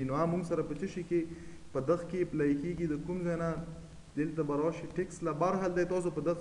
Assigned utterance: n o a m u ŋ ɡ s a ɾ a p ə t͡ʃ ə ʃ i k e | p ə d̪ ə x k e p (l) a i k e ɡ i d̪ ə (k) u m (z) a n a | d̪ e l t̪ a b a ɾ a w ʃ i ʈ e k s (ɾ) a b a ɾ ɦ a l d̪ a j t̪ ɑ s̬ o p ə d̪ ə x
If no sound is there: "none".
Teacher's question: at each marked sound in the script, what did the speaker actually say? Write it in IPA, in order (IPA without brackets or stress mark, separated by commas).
l, k, z, l